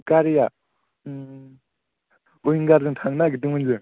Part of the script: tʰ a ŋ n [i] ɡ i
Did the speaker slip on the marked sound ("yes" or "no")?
yes